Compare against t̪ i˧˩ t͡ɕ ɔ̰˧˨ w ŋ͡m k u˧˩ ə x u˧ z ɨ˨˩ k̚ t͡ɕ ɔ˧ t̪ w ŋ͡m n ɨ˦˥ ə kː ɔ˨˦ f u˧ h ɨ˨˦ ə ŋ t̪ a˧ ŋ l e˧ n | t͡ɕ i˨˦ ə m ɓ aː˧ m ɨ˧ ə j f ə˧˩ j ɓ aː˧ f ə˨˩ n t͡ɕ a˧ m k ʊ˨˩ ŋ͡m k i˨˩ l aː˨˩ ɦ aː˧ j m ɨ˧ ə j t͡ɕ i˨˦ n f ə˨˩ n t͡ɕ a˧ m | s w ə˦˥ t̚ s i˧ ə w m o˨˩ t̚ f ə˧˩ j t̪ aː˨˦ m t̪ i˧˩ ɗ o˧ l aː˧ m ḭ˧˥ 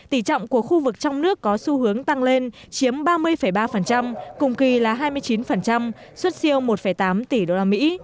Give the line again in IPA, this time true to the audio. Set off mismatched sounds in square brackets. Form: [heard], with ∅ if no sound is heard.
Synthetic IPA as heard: t̪ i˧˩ t͡ɕ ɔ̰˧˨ w ŋ͡m k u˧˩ ə x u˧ [v] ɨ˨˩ k̚ t͡ɕ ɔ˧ [∅] w ŋ͡m n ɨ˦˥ ə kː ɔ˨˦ [s] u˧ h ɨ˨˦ ə ŋ t̪ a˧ ŋ l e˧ n | t͡ɕ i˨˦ ə m ɓ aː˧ m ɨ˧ ə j f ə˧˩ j ɓ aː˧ f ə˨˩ n t͡ɕ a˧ m k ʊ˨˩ ŋ͡m k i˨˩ l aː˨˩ ɦ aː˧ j m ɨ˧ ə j t͡ɕ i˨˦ n f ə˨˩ n t͡ɕ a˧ m | s w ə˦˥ t̚ s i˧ ə w m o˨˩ t̚ f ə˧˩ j t̪ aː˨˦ m t̪ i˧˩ ɗ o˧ l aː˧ m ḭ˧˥

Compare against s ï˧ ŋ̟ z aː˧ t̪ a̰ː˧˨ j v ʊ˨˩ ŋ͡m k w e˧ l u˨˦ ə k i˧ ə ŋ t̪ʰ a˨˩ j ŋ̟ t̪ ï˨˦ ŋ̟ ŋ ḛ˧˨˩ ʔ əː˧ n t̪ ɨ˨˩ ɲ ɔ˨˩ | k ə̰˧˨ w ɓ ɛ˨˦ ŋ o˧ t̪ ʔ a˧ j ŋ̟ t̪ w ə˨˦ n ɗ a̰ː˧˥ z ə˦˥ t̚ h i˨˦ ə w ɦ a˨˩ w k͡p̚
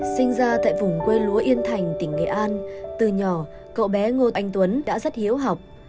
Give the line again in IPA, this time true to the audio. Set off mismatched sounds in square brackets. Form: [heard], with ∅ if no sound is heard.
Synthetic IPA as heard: s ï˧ ŋ̟ z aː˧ t̪ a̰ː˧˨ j v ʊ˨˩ ŋ͡m k w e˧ l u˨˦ ə [ʔ] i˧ ə [n] t̪ʰ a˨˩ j ŋ̟ t̪ [ï˧˩] ŋ̟ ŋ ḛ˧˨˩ ʔ [aː˧] n t̪ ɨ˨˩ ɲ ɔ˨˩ | k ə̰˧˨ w ɓ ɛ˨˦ ŋ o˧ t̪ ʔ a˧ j ŋ̟ t̪ w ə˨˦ n ɗ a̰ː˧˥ z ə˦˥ t̚ h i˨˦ ə w ɦ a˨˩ w k͡p̚

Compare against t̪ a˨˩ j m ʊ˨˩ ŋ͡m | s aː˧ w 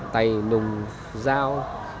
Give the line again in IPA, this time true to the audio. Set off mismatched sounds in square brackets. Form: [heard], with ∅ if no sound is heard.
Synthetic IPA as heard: t̪ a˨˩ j [n] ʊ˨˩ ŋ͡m | [z] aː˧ w

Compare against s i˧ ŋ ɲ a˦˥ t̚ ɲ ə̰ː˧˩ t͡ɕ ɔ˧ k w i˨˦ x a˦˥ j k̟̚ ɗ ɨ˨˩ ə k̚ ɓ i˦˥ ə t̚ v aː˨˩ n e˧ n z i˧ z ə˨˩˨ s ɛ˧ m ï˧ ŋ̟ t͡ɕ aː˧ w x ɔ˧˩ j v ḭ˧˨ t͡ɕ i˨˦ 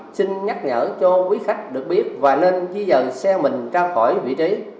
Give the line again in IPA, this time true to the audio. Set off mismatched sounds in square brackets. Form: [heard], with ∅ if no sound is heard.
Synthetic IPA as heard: s i˧ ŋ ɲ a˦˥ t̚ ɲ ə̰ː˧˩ t͡ɕ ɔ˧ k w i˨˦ x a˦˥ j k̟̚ ɗ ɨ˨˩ ə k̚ ɓ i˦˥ ə t̚ v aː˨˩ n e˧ n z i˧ z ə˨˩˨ s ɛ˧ m [ï˨˩] ŋ̟ t͡ɕ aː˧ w x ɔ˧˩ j v ḭ˧˨ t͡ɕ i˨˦

